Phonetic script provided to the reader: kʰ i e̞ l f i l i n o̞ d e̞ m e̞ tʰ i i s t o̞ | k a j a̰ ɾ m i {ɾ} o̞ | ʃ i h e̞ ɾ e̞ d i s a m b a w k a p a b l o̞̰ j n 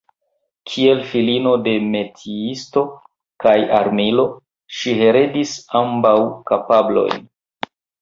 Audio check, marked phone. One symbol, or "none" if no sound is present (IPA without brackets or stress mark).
l